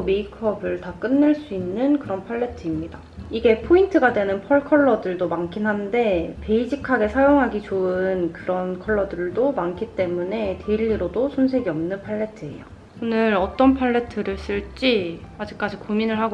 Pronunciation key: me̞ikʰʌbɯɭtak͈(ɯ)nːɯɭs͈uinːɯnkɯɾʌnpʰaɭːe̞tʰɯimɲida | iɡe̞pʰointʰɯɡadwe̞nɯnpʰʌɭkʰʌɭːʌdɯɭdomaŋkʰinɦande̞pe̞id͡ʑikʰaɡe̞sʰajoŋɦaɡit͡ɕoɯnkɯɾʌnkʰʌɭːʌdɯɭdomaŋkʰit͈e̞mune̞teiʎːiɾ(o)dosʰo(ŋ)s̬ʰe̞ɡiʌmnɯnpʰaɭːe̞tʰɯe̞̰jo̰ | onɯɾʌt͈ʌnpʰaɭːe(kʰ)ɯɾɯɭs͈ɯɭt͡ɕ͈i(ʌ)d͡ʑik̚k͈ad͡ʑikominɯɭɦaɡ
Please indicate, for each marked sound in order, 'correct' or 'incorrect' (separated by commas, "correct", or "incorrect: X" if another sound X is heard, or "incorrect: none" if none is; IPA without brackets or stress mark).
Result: correct, correct, incorrect: n, incorrect: tʰ, incorrect: a